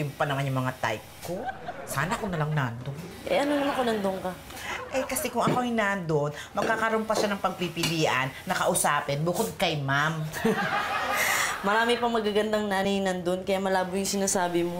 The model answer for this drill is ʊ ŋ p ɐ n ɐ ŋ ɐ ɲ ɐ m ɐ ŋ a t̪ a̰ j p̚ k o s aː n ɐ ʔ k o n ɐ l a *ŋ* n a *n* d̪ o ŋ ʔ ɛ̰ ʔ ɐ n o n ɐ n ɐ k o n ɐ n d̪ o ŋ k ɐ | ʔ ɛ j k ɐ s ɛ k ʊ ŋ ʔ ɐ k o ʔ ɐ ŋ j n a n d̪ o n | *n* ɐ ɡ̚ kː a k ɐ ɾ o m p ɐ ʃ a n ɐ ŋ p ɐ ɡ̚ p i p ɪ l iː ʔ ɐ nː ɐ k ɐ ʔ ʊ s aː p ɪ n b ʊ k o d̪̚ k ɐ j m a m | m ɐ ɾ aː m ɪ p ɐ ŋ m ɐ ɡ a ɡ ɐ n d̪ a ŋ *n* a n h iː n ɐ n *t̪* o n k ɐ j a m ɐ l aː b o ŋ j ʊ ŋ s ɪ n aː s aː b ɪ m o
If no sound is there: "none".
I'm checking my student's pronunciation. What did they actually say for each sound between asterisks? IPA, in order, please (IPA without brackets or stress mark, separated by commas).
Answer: ŋ, n, m, n, d̪